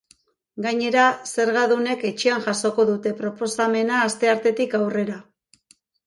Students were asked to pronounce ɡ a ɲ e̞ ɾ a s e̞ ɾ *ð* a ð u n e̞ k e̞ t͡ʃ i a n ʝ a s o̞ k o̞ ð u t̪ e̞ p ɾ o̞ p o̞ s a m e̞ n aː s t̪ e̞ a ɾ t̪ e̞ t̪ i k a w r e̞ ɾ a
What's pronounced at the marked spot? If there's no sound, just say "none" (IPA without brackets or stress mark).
ɣ